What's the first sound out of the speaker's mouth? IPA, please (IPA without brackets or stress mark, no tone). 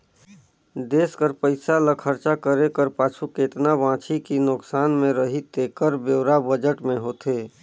d̪